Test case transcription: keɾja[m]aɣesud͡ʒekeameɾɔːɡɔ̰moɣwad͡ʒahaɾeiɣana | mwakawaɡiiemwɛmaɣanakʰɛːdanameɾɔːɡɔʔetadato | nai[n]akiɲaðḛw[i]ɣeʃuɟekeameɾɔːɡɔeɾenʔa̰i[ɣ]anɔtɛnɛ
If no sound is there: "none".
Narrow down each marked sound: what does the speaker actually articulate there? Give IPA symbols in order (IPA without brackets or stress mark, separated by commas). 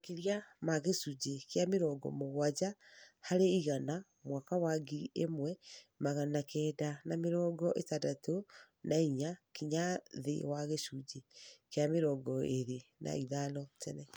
m, ɲ, a, ð